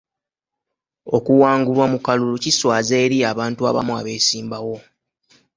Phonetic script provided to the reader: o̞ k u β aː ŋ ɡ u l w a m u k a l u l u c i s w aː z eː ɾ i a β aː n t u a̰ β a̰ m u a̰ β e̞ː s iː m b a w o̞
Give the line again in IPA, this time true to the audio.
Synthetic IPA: o̞ k u w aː ŋ ɡ u l w a m u k a l u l u c i s w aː z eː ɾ i a β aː n t u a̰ β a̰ m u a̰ β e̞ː s iː m b a w o̞